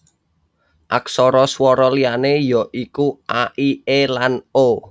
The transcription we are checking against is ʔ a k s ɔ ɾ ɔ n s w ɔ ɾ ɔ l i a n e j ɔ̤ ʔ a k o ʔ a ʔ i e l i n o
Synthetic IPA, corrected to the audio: ʔ a k s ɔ ɾ ɔ s w ɔ ɾ ɔ l i a n e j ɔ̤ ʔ i k u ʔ a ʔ i e l a n o